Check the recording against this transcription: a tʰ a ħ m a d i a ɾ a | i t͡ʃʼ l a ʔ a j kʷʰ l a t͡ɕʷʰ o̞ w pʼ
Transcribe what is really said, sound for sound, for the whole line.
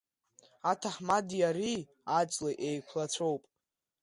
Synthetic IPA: a tʰ a ħ m a d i a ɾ i | a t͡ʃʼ l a ʔ e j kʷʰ l a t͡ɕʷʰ o̞ w pʼ